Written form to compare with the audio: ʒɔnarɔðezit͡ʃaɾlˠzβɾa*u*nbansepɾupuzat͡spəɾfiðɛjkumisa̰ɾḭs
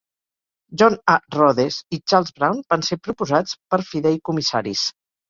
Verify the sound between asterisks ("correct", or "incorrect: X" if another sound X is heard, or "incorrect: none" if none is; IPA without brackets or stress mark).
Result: incorrect: w